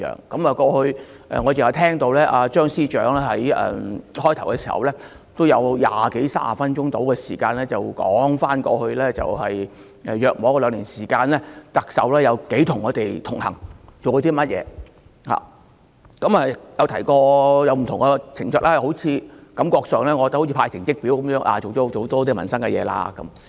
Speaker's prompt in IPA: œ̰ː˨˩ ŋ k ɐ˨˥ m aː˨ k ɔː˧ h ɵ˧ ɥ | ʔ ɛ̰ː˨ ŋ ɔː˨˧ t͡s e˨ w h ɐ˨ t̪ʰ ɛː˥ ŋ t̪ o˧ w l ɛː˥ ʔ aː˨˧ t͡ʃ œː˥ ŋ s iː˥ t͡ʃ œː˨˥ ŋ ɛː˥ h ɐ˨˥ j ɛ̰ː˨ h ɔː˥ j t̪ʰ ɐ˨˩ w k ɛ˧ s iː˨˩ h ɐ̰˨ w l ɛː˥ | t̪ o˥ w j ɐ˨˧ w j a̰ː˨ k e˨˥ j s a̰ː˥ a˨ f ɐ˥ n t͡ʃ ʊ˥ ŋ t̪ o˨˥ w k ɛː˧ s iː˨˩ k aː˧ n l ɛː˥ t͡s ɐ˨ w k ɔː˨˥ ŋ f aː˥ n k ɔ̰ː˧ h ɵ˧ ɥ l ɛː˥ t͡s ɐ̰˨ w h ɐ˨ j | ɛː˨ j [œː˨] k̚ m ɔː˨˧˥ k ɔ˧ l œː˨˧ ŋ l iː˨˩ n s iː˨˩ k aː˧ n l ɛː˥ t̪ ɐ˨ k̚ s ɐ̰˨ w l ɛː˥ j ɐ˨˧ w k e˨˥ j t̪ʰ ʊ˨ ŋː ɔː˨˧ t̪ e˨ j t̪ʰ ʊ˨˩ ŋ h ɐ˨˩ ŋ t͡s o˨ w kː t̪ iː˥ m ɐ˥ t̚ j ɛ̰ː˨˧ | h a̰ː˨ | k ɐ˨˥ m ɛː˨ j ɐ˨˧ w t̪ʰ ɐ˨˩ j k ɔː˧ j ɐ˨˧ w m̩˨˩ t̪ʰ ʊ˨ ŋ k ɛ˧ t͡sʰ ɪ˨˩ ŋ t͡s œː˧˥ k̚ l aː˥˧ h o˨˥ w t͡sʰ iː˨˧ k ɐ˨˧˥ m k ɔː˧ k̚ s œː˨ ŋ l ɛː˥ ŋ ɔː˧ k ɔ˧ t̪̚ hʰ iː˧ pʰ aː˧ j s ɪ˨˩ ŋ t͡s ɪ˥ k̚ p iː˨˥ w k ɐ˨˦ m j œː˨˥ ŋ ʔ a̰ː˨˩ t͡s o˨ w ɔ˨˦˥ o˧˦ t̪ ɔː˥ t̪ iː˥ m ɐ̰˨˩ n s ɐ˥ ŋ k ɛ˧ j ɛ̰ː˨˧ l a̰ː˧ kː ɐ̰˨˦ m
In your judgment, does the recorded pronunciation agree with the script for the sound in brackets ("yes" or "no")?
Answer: yes